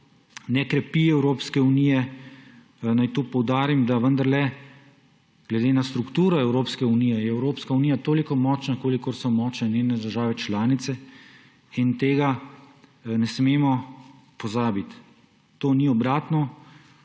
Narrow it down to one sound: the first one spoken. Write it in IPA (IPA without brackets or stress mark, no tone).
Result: n